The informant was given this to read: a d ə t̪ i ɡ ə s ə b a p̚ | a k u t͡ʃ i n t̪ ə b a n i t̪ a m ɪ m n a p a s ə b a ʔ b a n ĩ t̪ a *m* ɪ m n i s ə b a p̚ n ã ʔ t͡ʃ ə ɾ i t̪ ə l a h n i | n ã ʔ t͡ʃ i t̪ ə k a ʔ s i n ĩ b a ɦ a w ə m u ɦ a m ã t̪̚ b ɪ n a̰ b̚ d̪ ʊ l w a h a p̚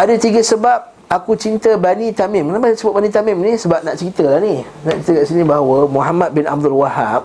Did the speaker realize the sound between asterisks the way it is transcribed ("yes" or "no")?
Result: yes